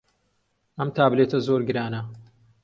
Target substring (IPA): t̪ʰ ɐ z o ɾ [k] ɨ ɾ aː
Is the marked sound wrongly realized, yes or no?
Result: yes